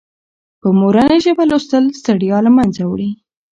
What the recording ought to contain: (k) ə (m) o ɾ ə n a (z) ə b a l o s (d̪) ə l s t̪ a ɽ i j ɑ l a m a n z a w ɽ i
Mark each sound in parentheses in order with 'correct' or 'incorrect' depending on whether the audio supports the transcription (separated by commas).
incorrect, correct, incorrect, incorrect